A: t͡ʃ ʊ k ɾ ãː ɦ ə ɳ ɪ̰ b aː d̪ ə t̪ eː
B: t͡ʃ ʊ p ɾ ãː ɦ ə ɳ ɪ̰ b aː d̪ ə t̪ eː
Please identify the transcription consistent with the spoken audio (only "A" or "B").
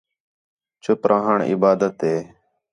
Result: B